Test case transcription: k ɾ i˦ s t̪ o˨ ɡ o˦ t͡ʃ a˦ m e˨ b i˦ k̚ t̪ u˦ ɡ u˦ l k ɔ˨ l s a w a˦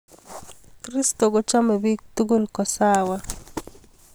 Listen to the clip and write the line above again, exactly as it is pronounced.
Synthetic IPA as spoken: k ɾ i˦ s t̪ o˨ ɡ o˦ t͡ʃ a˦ m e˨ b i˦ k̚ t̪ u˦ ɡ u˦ l k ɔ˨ s a w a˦